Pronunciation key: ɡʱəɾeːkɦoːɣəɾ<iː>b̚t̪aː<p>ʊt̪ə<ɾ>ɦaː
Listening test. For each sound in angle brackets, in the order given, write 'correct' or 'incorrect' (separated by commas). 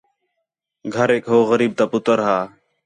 correct, correct, correct